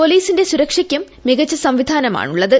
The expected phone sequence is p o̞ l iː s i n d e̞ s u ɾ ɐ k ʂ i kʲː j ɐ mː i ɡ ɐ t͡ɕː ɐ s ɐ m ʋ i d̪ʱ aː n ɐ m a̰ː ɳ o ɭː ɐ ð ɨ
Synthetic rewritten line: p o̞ l iː s i n d e̞ s u ɾ ɐ k ʂ i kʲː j ɐ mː i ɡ ɐ t͡ɕː ɐ s ɐ m ʋ i d̪ʱ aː n ɐ m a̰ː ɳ u ɭː ɐ ð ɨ